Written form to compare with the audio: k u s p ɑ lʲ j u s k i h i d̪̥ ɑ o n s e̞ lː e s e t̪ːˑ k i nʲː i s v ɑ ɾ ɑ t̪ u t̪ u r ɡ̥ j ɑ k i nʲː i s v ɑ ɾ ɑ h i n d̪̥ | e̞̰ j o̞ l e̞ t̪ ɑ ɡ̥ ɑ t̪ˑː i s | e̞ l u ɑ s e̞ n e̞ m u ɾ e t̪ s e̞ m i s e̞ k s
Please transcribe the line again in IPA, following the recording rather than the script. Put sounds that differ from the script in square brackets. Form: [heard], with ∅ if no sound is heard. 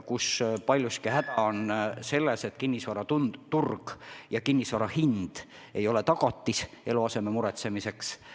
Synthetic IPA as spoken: k u s p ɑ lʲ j u s k i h [æ] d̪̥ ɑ o n s e̞ lː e s e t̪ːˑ k i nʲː i s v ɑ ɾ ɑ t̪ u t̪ u r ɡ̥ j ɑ k i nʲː i s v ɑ ɾ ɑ h i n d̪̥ | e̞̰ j o̞ l e̞ t̪ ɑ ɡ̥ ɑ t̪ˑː i s | e̞ l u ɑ s e̞ [m] e̞ m u ɾ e t̪ s e̞ m i s e̞ k s